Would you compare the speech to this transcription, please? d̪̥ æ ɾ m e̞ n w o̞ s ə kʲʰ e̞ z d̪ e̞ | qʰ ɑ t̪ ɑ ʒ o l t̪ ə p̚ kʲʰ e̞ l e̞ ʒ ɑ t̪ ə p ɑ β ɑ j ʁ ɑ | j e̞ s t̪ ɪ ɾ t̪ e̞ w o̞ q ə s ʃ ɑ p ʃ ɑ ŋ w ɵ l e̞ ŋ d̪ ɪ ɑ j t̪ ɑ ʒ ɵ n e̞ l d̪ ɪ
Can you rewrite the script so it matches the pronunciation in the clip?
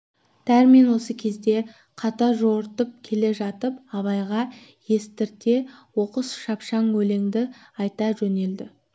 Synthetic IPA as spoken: d̪̥ æ ɾ m e̞ n w o̞ s ə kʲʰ e̞ z d̪ e̞ | qʰ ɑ t̪ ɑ ʒ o ɾ t̪ ə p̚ kʲʰ e̞ l e̞ ʒ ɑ t̪ ə p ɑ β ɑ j ʁ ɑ | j e̞ s t̪ ɪ ɾ t̪ e̞ w o̞ q ə s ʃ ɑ p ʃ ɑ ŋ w ɵ l e̞ ŋ d̪ ɪ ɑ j t̪ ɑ ʒ ɵ n e̞ l d̪ ɪ